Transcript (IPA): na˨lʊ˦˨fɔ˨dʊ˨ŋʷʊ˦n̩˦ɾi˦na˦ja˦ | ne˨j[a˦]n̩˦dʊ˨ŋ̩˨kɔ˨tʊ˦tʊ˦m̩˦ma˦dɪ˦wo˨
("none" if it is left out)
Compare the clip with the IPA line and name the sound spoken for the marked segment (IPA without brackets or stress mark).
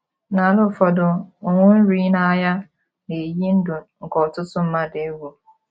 i˦